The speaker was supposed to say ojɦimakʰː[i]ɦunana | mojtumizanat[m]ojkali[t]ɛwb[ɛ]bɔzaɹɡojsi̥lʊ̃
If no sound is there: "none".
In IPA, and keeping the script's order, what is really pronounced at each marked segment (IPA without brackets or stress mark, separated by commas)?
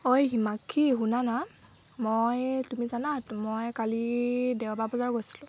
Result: i, m, d, a